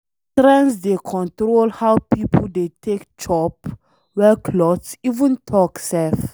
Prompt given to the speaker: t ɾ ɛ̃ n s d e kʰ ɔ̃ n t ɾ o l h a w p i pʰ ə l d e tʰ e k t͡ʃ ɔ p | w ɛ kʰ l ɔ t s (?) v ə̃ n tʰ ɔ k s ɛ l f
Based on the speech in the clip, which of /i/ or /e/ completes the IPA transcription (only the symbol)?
i